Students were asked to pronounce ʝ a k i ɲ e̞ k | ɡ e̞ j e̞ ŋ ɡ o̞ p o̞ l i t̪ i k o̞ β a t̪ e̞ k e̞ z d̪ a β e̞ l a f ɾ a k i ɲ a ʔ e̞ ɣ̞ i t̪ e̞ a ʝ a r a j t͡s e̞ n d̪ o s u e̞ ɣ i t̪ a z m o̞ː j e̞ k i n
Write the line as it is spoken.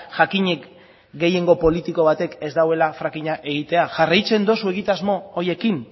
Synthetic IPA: ʝ a k i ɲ e̞ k | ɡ e̞ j e̞ ŋ ɡ o̞ p o̞ l i t̪ i k o̞ β a t̪ e̞ k e̞ z d̪ a w e̞ l a f ɾ a k i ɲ a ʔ e̞ ɣ̞ i t̪ e̞ a ʝ a r a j t͡s e̞ n d̪ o s u e̞ ɣ i t̪ a z m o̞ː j e̞ k i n